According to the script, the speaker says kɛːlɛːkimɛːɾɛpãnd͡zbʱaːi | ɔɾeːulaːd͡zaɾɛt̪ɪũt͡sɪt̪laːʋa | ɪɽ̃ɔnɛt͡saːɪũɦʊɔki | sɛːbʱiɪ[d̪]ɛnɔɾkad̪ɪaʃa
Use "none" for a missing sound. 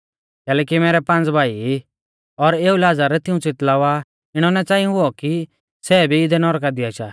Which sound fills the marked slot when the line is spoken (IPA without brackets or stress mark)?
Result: d̪